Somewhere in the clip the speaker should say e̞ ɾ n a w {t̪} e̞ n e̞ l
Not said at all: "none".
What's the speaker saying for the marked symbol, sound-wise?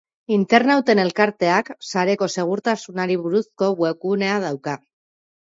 t̪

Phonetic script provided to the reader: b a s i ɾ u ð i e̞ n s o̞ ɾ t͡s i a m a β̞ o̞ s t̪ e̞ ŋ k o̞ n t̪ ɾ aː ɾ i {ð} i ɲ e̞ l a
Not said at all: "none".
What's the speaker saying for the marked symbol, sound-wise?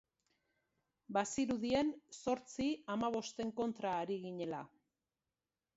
ɣ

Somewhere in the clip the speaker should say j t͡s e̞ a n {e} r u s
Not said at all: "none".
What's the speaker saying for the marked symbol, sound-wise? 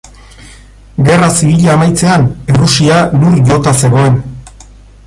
e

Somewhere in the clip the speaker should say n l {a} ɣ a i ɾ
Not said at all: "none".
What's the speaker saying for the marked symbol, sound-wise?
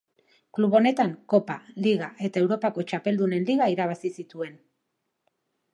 i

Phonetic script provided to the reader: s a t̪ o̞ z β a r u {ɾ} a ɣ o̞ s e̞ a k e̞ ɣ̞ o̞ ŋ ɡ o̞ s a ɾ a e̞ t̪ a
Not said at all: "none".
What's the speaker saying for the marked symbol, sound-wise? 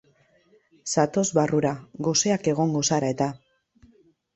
ɾ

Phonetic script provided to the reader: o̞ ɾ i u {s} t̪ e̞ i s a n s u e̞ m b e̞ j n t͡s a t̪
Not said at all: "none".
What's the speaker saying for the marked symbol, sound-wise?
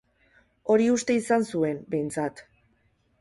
s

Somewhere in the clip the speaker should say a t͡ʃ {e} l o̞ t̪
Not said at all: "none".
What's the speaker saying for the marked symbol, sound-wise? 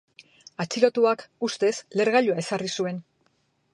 i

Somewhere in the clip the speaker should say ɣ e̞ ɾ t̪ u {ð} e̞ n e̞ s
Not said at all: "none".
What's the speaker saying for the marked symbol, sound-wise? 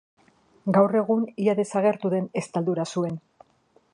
ð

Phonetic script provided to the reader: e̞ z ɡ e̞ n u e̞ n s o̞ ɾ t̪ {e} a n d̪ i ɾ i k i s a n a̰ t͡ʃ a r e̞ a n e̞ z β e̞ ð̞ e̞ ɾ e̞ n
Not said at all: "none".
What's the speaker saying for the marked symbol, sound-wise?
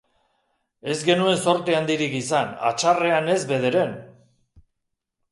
e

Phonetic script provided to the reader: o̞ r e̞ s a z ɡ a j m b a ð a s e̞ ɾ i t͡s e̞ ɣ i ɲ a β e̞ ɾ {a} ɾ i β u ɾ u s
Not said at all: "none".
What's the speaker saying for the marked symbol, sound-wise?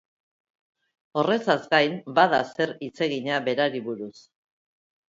a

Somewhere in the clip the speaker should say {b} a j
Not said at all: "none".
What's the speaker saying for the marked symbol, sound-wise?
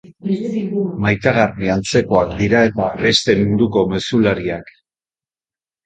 m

